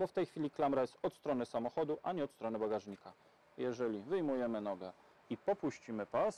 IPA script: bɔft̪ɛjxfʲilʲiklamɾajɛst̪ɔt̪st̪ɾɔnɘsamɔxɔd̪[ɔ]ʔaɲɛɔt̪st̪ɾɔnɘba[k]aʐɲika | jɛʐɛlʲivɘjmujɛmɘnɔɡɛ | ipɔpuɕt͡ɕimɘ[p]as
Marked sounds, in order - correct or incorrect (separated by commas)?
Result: incorrect, incorrect, correct